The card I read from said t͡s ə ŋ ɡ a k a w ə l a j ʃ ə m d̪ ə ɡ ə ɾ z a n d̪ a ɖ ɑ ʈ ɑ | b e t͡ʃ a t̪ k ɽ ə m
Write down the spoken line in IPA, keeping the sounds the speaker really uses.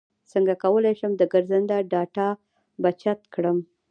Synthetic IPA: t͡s ə ŋ ɡ a k a w ə l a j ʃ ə m d̪ ə ɡ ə ɾ z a n d̪ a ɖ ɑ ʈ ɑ | b a t͡ʃ a t̪ k ɽ ə m

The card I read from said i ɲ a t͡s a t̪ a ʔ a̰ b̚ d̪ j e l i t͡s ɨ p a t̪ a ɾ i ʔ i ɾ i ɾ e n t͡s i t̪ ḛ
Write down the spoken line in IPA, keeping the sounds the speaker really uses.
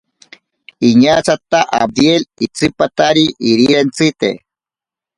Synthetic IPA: i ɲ a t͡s a t̪ a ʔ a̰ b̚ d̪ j e l i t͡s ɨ p a t̪ a ɾ i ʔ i ɾ i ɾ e n t͡s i t̪ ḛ

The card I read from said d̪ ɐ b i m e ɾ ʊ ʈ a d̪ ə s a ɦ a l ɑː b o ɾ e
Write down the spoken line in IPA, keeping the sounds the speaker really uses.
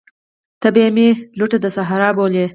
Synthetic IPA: t̪ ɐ b e m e l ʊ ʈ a d̪ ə s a ɦ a ɾ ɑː b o l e

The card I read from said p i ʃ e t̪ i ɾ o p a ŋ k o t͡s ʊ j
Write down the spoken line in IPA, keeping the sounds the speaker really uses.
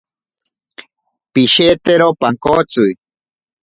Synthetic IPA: p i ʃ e t̪ e ɾ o p a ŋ k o t͡s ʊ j

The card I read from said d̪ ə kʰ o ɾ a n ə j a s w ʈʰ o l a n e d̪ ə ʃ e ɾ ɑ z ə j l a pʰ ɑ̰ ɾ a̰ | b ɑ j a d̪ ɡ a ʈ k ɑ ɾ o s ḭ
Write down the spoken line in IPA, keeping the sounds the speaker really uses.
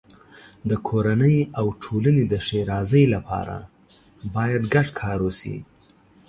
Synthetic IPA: d̪ ə kʰ o ɾ a n ə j a w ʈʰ o l a n e d̪ ə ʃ e ɾ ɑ z ə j l a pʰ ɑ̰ ɾ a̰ | b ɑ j a d̪ ɡ a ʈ kʰ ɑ ɾ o s ḭ

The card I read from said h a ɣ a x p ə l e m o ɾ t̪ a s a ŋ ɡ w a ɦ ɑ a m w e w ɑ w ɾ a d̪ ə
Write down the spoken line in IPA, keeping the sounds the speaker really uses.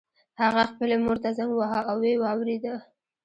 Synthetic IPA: h a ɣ a x p ə l e m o ɾ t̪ a z a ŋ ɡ w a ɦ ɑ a w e w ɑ w ɾ e d̪ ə

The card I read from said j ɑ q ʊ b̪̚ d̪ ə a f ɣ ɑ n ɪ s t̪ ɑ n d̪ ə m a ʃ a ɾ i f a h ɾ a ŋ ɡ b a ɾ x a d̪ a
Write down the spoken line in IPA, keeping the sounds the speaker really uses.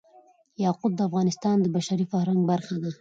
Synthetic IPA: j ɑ q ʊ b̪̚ d̪ ə a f ɣ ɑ n ɪ s t̪ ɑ n d̪ ə b a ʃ a ɾ i f a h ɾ a ŋ ɡ b a ɾ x a d̪ a

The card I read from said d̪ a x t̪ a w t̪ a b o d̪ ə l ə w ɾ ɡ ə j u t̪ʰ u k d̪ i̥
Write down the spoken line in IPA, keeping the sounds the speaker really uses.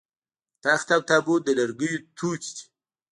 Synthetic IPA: t̪ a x t̪ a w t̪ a b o d̪ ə l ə ɾ ɡ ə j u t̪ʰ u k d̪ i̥

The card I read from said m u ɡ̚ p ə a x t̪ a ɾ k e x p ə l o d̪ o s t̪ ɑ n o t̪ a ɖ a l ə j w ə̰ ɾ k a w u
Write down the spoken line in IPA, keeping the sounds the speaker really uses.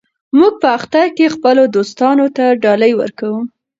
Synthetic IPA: m u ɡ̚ p ə a x t̪ a ɾ k e x p ə l o d̪ o s t̪ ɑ n o t̪ a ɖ ɑ l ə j w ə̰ ɾ k a w u

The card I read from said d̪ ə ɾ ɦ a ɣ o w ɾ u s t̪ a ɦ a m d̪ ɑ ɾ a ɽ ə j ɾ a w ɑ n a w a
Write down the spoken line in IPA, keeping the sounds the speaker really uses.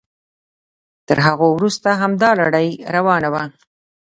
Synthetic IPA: t̪ ə ɾ ɦ a ɣ o w ɾ u s t̪ a ɦ a m d̪ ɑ l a ɽ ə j ɾ a w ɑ n a w a

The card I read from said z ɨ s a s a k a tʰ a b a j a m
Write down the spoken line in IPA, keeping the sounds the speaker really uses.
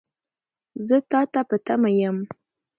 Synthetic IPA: z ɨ t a t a p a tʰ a m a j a m

